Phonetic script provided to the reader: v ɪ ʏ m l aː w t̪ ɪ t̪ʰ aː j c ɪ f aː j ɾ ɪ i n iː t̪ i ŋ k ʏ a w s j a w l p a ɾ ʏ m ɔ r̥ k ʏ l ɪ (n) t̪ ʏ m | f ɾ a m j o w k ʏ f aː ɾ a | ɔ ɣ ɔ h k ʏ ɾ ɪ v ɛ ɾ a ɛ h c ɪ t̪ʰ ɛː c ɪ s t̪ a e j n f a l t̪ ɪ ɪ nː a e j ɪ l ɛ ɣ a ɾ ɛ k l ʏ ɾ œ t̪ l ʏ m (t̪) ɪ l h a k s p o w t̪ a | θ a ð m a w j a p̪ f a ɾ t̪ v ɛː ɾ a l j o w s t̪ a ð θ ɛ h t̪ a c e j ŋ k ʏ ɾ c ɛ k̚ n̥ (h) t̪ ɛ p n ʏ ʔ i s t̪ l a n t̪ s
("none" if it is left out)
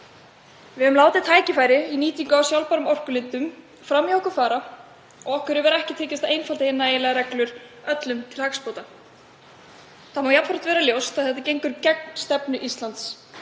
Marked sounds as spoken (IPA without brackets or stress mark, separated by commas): n, t̪ʰ, s